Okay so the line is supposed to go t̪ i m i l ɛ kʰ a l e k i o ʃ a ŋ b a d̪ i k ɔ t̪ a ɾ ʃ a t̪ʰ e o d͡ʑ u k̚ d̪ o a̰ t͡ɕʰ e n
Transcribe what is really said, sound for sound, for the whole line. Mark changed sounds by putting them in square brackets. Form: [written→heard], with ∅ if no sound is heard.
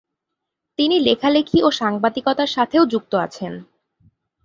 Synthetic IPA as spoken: t̪ i [m→n] i l [ɛ→e] kʰ a l e [k→kʰ] i o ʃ a ŋ b a d̪ i k ɔ t̪ a ɾ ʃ a t̪ʰ e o d͡ʑ u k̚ [d̪→t̪] o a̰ t͡ɕʰ e n